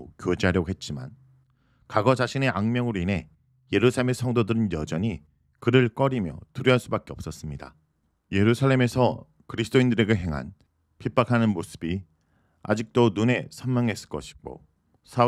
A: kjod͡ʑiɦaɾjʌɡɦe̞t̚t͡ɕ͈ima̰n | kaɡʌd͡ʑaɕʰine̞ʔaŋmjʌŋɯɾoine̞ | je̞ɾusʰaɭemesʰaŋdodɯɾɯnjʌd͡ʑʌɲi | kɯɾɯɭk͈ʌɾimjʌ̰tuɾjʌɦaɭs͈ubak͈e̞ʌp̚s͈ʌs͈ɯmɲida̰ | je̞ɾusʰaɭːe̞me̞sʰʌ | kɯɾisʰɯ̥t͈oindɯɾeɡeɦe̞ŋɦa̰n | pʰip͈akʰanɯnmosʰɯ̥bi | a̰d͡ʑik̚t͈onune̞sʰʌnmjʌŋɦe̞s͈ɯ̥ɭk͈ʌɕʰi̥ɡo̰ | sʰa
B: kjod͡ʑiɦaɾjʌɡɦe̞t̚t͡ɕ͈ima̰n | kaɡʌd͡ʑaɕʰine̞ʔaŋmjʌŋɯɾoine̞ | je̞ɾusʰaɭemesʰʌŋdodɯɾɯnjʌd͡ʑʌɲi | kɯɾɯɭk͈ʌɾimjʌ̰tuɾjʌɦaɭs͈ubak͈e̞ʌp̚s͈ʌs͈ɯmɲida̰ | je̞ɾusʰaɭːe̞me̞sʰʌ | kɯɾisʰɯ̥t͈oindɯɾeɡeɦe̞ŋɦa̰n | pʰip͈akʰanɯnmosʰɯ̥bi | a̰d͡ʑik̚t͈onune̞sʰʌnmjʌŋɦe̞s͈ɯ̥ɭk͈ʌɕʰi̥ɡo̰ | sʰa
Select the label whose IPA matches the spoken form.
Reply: B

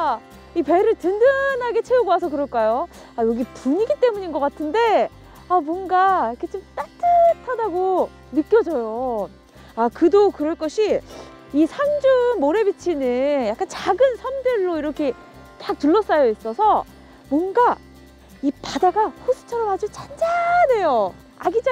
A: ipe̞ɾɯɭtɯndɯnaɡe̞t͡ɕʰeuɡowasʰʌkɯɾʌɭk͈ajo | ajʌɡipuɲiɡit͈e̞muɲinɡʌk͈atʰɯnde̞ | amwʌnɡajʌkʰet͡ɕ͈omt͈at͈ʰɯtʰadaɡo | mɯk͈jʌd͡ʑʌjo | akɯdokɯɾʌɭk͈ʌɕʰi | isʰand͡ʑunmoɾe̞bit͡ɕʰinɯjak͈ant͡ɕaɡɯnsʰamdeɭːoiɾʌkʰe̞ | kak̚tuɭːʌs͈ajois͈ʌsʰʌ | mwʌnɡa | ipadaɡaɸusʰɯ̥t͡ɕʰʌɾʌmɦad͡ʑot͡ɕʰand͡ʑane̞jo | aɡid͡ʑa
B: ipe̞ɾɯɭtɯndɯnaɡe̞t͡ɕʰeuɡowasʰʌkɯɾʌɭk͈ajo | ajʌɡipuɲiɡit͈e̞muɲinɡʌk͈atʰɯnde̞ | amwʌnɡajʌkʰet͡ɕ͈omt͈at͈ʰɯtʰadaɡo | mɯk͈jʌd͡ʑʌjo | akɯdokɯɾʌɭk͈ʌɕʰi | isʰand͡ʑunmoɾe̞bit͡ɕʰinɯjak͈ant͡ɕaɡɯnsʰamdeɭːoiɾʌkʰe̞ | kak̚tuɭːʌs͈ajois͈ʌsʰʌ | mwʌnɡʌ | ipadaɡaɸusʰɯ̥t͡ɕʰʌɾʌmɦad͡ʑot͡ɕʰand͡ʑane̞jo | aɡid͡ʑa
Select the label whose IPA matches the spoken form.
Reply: A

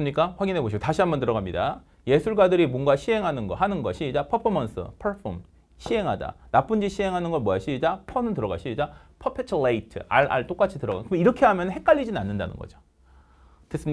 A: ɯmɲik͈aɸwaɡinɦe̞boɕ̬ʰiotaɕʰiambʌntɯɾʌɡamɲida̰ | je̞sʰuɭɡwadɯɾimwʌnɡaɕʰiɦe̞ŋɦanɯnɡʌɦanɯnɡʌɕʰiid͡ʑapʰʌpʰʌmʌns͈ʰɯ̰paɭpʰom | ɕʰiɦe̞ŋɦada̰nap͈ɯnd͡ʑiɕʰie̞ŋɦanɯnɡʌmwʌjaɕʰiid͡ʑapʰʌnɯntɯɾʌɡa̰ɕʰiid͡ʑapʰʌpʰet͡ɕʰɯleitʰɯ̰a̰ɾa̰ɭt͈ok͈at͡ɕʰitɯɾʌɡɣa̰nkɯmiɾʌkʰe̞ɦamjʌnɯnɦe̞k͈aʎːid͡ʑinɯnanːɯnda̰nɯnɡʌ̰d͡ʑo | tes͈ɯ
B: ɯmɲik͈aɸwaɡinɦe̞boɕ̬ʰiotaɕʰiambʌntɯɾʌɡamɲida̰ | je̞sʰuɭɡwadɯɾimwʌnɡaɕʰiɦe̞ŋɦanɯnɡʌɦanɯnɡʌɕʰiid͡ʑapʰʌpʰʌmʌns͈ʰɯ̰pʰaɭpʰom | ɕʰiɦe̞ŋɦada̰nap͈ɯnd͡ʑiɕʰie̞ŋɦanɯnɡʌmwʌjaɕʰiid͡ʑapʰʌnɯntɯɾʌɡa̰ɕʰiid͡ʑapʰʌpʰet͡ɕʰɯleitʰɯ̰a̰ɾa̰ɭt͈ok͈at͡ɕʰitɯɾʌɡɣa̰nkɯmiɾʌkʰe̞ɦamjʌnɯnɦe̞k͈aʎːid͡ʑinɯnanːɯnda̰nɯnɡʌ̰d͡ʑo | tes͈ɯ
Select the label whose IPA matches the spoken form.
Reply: B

